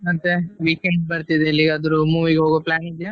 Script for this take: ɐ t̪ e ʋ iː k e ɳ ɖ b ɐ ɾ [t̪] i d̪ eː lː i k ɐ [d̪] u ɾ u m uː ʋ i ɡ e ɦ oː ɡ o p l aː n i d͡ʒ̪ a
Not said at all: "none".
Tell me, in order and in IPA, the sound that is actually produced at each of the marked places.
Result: t̪, d̪

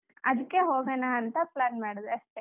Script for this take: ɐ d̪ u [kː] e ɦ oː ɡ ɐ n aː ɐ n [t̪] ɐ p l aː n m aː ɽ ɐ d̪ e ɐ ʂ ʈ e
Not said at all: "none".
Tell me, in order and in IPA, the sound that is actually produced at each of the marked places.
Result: kː, t̪

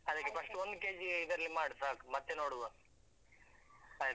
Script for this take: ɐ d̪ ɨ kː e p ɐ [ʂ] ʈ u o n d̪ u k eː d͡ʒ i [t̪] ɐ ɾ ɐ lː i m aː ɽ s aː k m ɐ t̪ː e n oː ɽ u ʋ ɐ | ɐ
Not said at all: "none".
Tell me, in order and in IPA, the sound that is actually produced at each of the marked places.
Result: ʂ, d̪

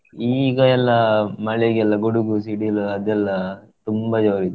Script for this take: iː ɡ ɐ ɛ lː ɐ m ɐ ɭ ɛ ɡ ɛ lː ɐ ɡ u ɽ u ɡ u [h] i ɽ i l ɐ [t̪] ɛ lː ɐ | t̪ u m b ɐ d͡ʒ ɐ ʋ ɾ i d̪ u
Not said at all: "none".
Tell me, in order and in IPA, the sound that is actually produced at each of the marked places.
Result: s, d̪

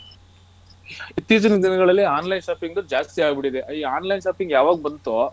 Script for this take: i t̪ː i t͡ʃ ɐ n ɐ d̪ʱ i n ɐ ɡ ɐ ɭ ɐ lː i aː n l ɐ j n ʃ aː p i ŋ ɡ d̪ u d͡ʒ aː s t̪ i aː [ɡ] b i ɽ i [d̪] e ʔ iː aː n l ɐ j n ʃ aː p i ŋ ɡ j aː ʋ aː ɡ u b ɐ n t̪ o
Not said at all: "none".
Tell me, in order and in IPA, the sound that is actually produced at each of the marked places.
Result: ɡ, d̪

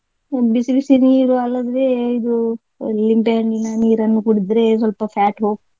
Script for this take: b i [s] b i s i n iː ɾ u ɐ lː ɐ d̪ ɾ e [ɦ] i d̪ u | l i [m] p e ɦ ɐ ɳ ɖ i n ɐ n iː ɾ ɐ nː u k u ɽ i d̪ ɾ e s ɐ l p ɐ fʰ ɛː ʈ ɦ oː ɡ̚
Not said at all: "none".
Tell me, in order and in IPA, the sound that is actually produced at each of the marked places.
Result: s, none, m

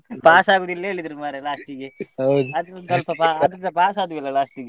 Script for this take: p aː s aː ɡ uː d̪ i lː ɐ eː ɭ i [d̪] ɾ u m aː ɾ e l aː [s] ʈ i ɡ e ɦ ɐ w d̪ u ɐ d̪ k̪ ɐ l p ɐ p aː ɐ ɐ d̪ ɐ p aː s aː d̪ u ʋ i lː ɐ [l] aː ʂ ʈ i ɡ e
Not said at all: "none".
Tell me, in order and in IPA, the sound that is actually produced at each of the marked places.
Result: d̪, ʂ, l

